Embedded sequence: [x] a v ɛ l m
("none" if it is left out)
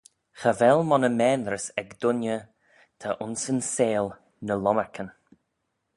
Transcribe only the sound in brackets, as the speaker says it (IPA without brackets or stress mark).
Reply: x